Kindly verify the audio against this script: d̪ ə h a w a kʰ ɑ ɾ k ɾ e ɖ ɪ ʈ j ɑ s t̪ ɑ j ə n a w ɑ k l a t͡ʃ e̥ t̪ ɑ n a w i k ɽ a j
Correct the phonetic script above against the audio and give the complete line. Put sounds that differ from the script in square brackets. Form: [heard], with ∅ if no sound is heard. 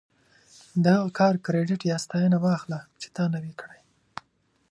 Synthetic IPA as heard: d̪ ə h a [ɣ] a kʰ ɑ ɾ k ɾ e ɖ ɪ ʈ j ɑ s t̪ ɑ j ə n a w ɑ [x] l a t͡ʃ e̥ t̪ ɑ n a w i k ɽ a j